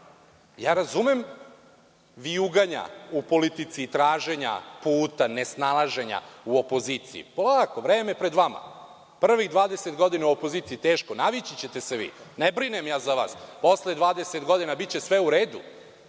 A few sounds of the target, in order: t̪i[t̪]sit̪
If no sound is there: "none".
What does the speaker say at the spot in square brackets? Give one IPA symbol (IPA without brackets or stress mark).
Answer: t̪